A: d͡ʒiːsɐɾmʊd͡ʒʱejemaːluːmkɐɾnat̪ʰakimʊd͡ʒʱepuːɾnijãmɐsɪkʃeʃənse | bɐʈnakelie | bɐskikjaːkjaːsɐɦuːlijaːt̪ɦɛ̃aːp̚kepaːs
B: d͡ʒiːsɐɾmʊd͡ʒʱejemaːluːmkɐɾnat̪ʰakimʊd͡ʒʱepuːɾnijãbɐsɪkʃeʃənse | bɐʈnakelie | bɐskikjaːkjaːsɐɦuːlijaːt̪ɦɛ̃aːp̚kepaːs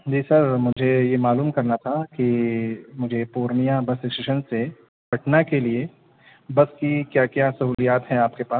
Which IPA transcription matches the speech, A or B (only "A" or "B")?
B